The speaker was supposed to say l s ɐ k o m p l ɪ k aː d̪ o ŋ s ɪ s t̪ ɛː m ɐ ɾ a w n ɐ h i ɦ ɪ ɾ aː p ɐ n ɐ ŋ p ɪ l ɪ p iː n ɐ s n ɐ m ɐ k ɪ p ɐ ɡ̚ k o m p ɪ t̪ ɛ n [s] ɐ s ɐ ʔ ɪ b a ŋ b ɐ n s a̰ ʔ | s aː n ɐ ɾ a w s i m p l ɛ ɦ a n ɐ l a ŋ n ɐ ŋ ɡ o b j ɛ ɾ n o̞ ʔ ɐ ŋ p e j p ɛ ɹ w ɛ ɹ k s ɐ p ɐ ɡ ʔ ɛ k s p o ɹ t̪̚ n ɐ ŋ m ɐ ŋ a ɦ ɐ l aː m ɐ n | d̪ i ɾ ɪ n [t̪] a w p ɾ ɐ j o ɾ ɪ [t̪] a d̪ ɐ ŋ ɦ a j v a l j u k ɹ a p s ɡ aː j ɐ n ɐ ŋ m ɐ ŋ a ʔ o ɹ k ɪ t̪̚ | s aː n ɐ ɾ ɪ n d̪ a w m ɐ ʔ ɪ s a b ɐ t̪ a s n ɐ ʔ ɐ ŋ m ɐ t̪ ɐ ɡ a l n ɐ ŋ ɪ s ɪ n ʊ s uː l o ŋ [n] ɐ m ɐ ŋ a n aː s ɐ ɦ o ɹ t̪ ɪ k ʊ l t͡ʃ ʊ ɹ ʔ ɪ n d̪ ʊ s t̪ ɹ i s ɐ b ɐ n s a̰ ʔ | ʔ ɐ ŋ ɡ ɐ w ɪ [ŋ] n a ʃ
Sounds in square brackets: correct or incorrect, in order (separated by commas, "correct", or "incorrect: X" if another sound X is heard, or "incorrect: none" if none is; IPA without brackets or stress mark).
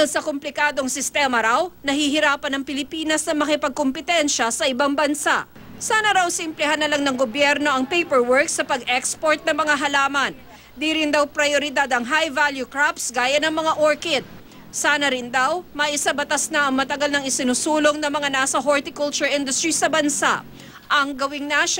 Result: incorrect: ʃ, incorrect: d̪, incorrect: d̪, correct, correct